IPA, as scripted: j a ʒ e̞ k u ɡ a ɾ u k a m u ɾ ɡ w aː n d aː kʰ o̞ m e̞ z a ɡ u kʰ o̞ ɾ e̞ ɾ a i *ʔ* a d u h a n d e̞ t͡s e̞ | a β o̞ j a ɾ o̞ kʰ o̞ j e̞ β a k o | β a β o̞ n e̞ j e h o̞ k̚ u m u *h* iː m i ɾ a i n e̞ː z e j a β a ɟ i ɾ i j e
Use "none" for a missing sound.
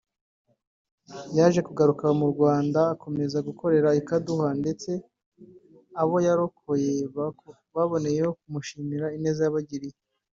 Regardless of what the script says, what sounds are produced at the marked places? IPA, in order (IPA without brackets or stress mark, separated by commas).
k, ʃ